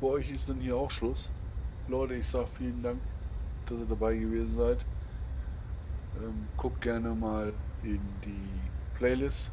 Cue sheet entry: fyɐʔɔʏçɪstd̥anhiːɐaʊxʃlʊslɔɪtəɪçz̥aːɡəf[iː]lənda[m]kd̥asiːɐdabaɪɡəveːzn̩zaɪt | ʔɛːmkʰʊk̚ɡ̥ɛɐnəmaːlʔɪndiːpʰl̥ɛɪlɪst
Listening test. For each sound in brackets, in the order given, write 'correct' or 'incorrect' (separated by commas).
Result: correct, incorrect